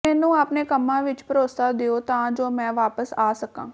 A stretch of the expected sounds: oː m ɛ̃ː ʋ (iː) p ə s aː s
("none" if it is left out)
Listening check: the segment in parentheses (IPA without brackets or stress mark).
aː